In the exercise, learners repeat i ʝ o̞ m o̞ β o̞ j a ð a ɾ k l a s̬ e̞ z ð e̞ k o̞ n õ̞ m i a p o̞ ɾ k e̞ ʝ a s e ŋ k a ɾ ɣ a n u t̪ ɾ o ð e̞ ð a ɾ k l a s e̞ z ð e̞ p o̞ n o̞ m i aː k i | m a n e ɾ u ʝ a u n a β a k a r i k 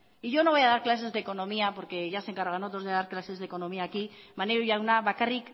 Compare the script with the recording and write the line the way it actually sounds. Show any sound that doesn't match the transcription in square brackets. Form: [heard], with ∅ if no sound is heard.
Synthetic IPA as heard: i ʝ o̞ [n] o̞ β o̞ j a ð a ɾ k l a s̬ e̞ z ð e̞ k o̞ n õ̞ m i a p o̞ ɾ k e̞ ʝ a s e ŋ k a ɾ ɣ a n [o] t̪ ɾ o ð e̞ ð a ɾ k l a s e̞ z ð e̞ [k] o̞ n o̞ m i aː k i | m a n e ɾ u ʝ a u n a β a k a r i k